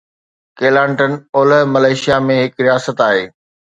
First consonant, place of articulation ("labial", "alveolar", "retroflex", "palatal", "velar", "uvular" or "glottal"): velar